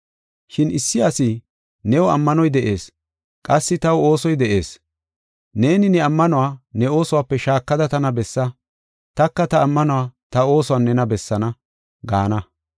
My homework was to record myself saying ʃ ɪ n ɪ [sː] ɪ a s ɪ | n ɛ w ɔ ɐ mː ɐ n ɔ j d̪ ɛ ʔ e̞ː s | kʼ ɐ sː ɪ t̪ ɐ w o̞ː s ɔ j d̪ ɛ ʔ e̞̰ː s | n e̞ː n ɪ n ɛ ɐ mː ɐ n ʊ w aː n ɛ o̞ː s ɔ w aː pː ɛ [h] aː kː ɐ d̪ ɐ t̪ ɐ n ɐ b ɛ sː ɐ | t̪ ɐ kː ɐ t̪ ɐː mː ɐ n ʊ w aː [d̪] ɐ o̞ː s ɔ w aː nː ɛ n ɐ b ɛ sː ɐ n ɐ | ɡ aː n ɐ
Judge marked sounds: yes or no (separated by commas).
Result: yes, no, no